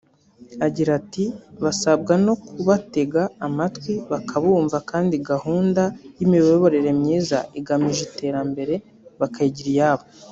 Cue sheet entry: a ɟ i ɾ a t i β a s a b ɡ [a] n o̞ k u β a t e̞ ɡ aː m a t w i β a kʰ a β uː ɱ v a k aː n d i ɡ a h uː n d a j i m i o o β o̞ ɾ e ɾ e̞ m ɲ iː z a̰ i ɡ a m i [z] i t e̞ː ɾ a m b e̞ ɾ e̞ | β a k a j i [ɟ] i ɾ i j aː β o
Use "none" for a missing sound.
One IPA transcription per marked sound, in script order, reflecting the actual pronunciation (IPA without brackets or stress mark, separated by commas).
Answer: a, ʒ, ɟ